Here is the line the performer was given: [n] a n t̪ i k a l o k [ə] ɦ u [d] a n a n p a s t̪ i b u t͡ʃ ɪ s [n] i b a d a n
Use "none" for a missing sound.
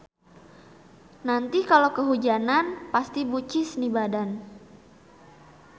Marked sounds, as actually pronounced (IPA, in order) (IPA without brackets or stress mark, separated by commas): n, ə, d͡ʒ, n